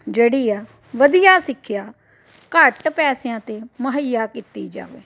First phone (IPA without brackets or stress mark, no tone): d͡ʒ